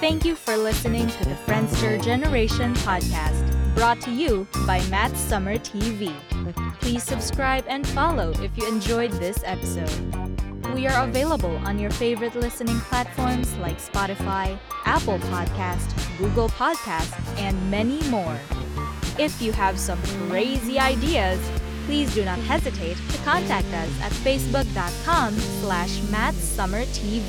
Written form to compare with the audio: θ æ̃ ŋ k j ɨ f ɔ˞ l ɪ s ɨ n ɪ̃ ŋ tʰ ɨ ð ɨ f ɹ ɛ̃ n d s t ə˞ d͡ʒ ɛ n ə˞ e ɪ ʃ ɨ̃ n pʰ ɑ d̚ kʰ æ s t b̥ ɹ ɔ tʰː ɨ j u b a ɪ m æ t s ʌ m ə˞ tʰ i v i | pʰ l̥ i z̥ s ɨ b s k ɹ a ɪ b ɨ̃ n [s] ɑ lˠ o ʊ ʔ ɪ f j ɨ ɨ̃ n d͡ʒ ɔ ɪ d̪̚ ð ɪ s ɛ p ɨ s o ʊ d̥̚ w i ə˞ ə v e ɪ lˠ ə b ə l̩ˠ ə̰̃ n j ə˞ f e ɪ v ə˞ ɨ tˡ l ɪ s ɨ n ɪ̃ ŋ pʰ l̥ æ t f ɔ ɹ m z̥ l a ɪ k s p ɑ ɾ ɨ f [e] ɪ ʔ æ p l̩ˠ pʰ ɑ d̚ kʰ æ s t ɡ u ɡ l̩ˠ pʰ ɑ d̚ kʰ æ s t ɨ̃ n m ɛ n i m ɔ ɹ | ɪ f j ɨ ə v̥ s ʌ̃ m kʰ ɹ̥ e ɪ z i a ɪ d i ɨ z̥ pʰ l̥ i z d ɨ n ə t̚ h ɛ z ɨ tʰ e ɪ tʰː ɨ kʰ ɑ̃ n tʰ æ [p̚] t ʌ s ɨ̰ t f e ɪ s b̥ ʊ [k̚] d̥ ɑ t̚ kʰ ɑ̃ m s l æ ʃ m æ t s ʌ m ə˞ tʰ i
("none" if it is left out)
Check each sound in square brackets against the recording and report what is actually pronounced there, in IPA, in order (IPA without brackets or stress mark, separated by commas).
f, a, k̚, k̚